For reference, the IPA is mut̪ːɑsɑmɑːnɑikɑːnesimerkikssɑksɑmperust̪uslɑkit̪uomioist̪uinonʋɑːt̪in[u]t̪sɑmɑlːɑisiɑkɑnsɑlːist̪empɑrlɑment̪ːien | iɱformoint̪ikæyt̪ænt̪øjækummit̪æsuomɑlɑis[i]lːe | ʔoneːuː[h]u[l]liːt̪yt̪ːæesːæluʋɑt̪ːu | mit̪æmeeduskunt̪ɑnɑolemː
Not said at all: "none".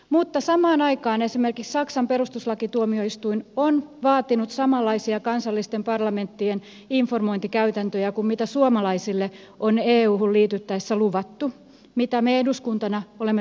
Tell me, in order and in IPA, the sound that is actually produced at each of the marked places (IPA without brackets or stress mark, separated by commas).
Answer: u, i, h, l